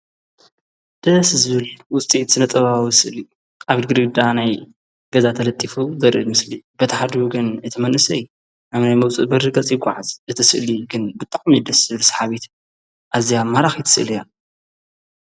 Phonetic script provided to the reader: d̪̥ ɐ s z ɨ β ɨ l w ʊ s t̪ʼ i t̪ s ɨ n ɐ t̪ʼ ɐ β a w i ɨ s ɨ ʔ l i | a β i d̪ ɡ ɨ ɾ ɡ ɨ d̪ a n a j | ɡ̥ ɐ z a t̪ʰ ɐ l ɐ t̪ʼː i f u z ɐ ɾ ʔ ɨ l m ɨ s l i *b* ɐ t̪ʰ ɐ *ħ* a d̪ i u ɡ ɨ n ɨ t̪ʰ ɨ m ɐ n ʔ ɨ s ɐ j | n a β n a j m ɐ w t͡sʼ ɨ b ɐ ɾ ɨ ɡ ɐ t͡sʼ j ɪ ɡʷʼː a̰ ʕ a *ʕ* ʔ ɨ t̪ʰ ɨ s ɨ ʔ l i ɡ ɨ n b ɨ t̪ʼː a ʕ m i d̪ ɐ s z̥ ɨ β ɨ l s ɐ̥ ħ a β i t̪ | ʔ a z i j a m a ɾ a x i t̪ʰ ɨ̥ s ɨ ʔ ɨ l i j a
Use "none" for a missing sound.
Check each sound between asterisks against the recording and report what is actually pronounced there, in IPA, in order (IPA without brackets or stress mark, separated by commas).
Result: b, ħ, z